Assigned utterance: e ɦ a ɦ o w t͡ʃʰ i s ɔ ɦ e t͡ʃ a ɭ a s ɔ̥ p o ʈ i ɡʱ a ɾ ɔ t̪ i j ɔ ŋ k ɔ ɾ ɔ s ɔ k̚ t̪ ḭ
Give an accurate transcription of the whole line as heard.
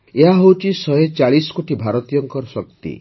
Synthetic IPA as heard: e ɦ a ɦ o w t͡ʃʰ i s ɔ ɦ e t͡ʃ a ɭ i s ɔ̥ k o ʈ i bʱ a ɾ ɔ t̪ i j ɔ ŋ k ɔ ɾ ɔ s ɔ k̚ t̪ ḭ

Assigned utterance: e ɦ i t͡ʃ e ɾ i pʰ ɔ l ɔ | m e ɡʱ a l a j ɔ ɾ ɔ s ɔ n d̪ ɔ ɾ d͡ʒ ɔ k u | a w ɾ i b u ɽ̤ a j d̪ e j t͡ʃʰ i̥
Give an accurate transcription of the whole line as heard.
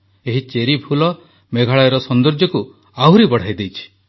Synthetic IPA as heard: e ɦ i t͡ʃ e ɾ i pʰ u l ɔ | m e ɡʱ a ɭ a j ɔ ɾ ɔ s ɔ n d̪ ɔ ɾ d͡ʒ ɔ k u | a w ɾ i b ɔ ɽ̤ a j d̪ e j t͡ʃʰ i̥

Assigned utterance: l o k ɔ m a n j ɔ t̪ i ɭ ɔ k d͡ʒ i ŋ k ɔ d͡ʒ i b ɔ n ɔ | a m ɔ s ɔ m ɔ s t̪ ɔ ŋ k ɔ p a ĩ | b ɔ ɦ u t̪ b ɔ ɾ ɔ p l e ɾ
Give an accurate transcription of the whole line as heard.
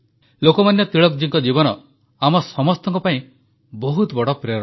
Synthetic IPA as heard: l o k ɔ m a n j ɔ t̪ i ɭ ɔ k d͡ʒ i ŋ k ɔ d͡ʒ i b ɔ n ɔ | a m ɔ s ɔ m ɔ s t̪ ɔ ŋ k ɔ p a ĩ | b ɔ ɦ u t̪ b ɔ ɽ ɔ p ɾ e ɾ

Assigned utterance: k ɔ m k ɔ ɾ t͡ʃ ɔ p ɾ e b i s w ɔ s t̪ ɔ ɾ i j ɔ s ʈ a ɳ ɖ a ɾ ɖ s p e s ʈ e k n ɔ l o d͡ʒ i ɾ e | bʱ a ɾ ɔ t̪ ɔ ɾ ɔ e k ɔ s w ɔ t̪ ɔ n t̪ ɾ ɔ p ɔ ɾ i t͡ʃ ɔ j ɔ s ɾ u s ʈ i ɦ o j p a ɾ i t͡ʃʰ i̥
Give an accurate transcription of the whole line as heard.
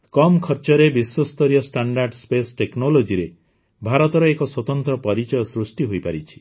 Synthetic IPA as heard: k ɔ m kʰ ɔ ɾ t͡ʃ ɔ ɾ e b i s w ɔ s t̪ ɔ ɾ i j ɔ s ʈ a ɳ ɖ a ɾ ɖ s p e s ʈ e k n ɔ l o d͡ʒ i ɾ e | bʱ a ɾ ɔ t̪ ɔ ɾ ɔ e k ɔ s w ɔ t̪ ɔ n t̪ ɾ ɔ p ɔ ɾ i t͡ʃ ɔ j ɔ s ɾ u s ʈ i ɦ o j p a ɾ i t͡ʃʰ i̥

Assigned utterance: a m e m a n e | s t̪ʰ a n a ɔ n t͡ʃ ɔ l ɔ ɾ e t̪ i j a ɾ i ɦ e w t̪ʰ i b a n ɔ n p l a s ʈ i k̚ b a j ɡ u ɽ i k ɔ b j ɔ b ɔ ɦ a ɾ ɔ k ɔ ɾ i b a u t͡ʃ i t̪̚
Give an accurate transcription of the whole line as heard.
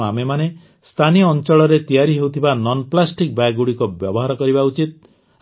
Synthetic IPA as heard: a m e m a n e | s t̪ʰ a n i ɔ n t͡ʃ ɔ ɭ ɔ ɾ e t̪ i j a ɾ i ɦ e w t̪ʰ i b a n ɔ n p l a s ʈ i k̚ b a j ɡ u ɽ i k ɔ b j ɔ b ɔ ɦ a ɾ ɔ k ɔ ɾ i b a u t͡ʃ i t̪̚

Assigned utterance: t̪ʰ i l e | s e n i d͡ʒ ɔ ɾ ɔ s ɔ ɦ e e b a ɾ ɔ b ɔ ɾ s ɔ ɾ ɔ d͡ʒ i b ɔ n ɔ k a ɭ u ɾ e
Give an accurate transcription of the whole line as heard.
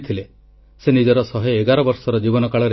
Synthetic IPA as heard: t̪ʰ i l e | s e n i d͡ʒ ɔ ɾ ɔ s ɔ ɦ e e ɡ a ɾ ɔ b ɔ ɾ s ɔ ɾ ɔ d͡ʒ i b ɔ n ɔ k a ɭ ɔ ɾ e

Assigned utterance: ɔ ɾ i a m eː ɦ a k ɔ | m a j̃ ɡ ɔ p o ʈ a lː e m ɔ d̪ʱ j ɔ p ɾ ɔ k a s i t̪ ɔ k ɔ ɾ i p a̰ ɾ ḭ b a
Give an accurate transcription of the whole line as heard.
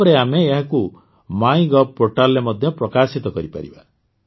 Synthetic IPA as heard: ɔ ɾ e a m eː ɦ a k u | m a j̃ ɡ ɔ p o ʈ a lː e m ɔ d̪ʱ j ɔ p ɾ ɔ k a s i t̪ ɔ k ɔ ɾ i p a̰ ɾ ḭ b a

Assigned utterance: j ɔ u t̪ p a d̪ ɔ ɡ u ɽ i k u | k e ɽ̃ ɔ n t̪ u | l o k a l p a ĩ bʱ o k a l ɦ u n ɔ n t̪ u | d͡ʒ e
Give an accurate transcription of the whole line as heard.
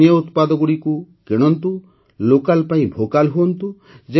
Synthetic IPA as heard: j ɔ u t̪ p a d̪ ɔ ɡ u ɽ i k u | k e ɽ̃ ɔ n t̪ u | l o k a l p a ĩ bʱ o k a l ɦ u ɔ n t̪ u | d͡ʒ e

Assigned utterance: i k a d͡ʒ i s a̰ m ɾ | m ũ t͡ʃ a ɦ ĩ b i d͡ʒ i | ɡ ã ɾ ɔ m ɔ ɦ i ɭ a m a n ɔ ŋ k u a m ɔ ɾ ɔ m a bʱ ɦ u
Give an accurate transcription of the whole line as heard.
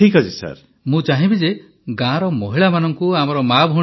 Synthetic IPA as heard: i k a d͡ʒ i s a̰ ɾ | m ũ t͡ʃ a ɦ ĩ b i d͡ʒ e | ɡ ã ɾ ɔ m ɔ ɦ i ɭ a m a n ɔ ŋ k u a m ɔ ɾ ɔ m a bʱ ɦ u

